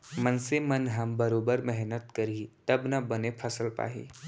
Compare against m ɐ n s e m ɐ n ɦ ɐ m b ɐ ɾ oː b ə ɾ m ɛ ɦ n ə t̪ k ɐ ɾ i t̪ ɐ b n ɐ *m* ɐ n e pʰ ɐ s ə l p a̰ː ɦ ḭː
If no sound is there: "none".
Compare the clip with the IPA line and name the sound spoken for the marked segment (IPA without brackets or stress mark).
b